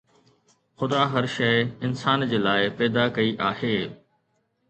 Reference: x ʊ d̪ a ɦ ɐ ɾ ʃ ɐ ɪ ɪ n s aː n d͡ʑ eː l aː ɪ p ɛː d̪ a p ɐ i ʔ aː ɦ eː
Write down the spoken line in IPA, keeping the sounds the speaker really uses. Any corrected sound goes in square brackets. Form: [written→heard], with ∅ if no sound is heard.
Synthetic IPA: x ʊ d̪ a ɦ ɐ ɾ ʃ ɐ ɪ ɪ n s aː n d͡ʑ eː l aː ɪ p ɛː d̪ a [p→k] ɐ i ʔ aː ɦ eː